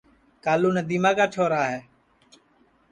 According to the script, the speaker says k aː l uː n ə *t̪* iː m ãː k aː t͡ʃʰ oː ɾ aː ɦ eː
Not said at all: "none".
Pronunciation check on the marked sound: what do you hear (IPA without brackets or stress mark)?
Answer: d̪